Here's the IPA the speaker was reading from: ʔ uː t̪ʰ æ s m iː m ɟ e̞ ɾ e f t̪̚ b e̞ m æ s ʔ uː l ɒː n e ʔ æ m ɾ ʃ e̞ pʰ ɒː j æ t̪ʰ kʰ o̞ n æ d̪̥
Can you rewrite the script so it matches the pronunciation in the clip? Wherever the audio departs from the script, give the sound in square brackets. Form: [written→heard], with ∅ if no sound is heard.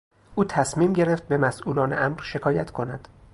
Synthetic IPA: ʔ uː t̪ʰ æ s m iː m ɟ e̞ ɾ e f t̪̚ b e̞ m æ s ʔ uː l ɒː n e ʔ æ m ɾ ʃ e̞ [pʰ→kʰ] ɒː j æ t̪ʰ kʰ o̞ n æ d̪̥